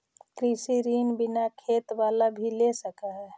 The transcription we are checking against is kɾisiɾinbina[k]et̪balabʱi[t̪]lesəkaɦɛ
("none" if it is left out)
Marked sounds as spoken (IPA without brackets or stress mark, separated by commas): kʰ, none